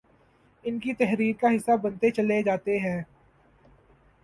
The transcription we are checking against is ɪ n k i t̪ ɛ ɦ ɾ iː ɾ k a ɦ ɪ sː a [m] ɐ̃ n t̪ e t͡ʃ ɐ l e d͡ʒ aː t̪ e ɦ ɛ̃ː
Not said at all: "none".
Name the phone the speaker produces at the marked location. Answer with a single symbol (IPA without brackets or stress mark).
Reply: b